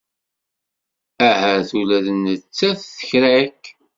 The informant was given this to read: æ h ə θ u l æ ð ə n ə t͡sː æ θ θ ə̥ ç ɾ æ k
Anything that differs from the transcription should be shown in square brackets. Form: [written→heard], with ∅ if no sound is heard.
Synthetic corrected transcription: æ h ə θ u l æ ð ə n ə t͡sː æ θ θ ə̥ ç ɾ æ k